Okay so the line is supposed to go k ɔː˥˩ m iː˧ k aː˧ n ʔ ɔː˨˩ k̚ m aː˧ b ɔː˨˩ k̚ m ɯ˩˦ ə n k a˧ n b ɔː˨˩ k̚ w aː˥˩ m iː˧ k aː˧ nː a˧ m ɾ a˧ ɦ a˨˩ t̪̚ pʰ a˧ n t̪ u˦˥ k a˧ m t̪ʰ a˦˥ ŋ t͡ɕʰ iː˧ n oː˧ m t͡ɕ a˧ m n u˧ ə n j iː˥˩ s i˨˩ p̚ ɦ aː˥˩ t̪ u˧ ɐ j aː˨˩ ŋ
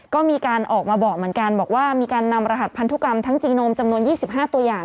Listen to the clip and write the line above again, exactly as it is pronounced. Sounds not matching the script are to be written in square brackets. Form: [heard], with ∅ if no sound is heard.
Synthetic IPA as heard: k ɔː˥˩ m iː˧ k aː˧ n ʔ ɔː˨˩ k̚ m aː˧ b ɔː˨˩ k̚ m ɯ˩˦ ə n k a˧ n b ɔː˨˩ k̚ w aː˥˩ m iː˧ k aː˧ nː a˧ m ɾ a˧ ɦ a˨˩ t̪̚ pʰ a˧ n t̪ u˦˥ k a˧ m t̪ʰ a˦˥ ŋ [t͡ɕ] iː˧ n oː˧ m t͡ɕ a˧ m n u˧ ə n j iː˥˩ s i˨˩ p̚ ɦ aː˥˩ t̪ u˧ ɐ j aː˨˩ ŋ